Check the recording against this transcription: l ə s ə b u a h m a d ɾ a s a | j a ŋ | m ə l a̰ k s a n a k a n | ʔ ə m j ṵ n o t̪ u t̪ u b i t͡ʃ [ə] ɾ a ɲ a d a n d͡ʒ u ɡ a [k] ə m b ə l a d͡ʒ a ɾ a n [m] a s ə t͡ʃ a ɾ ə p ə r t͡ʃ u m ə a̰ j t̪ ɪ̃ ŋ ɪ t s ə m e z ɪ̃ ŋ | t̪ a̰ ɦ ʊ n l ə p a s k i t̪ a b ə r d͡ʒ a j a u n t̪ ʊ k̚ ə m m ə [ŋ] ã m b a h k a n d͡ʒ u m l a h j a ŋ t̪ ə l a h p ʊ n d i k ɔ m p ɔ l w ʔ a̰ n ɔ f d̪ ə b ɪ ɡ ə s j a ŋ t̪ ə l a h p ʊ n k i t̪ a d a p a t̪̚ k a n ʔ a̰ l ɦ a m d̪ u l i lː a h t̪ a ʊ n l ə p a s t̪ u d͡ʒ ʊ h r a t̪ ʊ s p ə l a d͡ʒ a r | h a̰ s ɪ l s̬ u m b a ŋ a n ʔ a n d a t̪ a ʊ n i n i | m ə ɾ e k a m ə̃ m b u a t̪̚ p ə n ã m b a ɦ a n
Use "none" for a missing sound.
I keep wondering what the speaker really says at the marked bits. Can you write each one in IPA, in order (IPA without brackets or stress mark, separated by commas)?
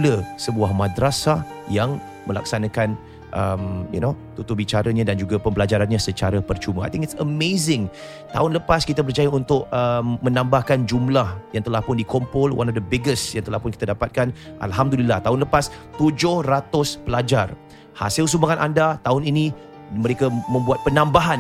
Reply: a, p, ɲ, n